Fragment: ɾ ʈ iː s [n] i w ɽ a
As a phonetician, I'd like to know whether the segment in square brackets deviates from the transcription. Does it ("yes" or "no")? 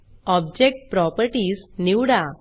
no